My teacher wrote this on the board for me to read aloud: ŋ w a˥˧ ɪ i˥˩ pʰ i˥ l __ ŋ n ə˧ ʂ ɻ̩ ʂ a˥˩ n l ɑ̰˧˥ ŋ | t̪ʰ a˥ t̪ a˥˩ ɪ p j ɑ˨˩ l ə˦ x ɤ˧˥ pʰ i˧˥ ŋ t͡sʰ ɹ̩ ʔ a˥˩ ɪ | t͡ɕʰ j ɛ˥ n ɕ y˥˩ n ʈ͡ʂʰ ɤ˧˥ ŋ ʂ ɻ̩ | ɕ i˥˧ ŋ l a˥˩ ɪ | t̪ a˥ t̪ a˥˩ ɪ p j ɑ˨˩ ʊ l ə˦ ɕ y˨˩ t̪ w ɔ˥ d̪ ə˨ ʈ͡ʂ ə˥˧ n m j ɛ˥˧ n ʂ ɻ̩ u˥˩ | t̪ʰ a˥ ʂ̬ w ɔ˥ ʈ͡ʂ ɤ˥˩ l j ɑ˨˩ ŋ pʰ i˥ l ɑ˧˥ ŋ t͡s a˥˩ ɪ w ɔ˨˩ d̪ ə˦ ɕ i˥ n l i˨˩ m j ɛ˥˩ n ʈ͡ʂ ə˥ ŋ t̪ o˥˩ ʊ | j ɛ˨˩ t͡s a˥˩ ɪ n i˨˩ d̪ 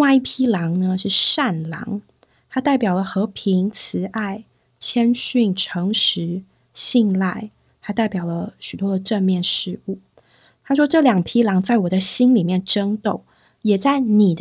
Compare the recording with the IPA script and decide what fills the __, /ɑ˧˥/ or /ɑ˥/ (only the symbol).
ɑ˧˥